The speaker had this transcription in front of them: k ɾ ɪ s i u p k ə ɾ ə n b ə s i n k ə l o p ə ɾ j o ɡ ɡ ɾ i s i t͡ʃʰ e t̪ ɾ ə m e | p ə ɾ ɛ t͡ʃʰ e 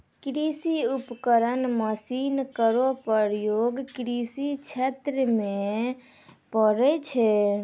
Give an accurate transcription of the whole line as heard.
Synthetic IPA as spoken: k ɾ i s i u p k ə ɾ ə n m ə s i n k ə ɾ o p ə ɾ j o ɡ k ɾ i s i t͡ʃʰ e t̪ ɾ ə m e | p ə ɾ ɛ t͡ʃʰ ɛ